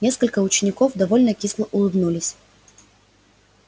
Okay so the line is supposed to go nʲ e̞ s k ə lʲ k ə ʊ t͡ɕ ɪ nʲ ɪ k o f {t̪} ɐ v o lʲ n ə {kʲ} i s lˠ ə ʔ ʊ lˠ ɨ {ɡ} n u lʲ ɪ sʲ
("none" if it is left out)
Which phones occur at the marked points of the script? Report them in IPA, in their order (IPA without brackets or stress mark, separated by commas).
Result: d̪, kʲ, b